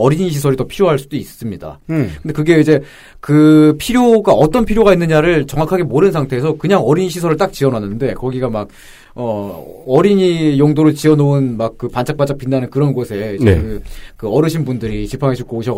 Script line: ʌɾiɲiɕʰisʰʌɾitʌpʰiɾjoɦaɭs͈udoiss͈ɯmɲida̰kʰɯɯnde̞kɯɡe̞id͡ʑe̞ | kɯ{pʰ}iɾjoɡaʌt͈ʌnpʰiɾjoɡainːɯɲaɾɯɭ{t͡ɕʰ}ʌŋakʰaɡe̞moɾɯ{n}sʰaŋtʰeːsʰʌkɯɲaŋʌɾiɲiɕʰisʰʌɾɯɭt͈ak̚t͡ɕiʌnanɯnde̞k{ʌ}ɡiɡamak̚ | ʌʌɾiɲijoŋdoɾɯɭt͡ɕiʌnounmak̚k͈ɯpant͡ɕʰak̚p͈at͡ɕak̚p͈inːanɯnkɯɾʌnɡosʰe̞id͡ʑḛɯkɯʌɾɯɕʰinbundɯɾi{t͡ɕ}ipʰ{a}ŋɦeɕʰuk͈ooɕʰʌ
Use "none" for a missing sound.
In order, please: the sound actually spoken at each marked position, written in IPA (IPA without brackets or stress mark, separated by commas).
pʰ, t͡ɕ, n, ʌ, t͡ɕ, a